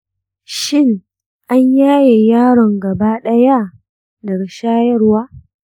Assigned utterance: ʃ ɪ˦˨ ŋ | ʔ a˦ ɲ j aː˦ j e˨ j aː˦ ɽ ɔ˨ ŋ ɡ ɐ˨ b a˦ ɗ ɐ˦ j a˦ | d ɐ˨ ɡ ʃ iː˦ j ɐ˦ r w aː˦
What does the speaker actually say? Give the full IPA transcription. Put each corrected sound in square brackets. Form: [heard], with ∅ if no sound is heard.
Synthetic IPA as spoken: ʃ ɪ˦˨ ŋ | ʔ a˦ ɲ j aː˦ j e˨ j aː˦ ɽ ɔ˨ ŋ ɡ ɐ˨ b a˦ ɗ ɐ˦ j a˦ | d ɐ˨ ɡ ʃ [aː˦] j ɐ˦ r w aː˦